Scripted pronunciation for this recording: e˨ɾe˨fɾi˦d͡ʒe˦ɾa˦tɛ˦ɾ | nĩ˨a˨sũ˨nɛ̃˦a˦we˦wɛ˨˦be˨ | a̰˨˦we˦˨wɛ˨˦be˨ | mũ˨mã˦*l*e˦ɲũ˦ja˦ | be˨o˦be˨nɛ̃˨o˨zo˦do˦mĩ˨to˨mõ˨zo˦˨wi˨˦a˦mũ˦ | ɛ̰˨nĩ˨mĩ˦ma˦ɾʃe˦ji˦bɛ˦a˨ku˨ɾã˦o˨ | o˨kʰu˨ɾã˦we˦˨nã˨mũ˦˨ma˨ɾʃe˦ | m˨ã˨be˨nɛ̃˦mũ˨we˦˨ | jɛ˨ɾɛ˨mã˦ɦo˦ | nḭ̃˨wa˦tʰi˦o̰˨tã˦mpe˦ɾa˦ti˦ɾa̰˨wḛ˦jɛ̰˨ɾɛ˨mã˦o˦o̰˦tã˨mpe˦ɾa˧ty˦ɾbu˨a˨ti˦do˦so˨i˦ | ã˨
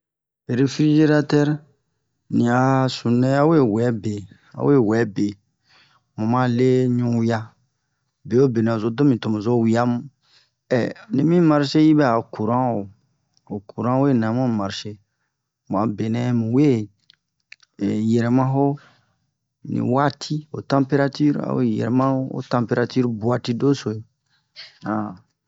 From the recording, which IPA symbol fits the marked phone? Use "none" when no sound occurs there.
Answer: l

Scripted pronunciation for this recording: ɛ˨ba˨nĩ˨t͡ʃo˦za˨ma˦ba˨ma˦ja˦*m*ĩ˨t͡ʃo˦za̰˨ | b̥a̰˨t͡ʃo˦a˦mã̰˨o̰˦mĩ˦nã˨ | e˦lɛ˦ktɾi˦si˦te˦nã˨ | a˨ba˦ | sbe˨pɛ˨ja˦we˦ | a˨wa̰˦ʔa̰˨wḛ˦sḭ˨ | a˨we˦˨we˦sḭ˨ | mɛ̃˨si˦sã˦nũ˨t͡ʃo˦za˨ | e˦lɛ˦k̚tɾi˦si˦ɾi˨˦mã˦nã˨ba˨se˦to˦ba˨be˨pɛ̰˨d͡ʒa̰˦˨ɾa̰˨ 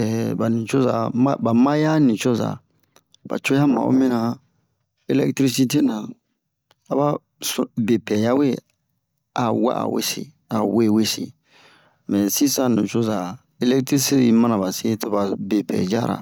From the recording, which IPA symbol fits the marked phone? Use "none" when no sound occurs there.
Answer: n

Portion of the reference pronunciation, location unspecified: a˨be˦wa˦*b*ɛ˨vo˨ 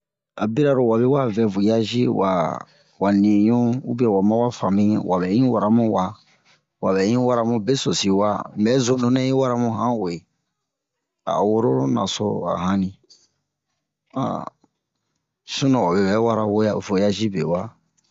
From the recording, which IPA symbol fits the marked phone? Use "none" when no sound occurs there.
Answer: v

